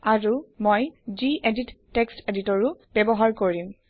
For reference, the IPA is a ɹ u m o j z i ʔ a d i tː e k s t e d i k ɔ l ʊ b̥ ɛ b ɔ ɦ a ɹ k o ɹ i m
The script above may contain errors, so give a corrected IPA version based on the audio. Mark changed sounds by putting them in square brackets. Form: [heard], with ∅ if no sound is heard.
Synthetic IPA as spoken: a ɹ u m o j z i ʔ [e] d i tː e k s t e d i [t] ɔ [ɹ] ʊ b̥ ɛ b ɔ ɦ a ɹ k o ɹ i m